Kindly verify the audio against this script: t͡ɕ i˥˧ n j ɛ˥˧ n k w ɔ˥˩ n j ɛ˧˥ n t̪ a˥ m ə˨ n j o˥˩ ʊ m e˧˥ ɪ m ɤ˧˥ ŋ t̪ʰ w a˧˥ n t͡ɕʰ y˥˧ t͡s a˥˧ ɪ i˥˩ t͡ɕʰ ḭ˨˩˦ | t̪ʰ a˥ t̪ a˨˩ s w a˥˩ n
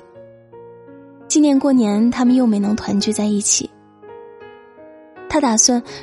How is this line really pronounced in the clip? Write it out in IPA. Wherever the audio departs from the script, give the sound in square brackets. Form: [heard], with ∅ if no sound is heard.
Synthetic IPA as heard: t͡ɕ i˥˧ n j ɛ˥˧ n k w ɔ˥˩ n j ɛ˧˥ n [t̪ʰ] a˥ m ə˨ n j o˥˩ ʊ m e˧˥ ɪ [n] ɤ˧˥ ŋ t̪ʰ w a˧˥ n [t͡ɕ] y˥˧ t͡s a˥˧ ɪ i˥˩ t͡ɕʰ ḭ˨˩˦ | t̪ʰ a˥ t̪ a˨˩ s w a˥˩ n